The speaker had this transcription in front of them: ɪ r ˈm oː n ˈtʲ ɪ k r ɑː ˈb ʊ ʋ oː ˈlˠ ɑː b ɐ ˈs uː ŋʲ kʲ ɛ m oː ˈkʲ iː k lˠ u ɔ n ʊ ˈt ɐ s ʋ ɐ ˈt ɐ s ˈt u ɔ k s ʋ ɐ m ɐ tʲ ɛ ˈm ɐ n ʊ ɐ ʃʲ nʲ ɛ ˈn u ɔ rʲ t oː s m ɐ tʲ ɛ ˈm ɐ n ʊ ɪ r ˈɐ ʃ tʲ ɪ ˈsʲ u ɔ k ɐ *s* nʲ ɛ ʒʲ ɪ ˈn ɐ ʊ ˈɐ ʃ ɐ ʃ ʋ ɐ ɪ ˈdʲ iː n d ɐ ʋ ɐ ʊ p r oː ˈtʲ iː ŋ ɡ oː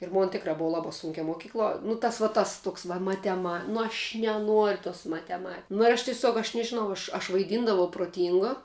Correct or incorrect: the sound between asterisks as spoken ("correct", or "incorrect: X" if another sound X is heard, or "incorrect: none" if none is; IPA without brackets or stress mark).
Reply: incorrect: ʃ